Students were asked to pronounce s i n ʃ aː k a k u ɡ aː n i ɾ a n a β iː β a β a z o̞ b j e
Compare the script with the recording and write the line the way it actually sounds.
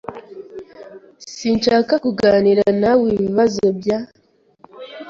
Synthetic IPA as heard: s i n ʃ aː k a k u ɡ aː n i ɾ a n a w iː β i β a z o̞ b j a